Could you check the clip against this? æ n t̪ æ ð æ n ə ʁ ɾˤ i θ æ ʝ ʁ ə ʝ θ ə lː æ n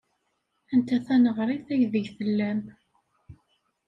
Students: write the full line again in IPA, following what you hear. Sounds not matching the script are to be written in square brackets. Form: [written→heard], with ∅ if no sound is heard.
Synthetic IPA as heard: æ n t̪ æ [ð→θ] æ n ə ʁ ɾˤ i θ æ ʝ [ʁ→ð] ə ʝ θ ə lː æ [n→m]